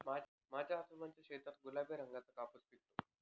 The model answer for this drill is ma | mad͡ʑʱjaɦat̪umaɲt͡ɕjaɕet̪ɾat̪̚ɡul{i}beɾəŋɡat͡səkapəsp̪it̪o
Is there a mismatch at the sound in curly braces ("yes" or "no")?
yes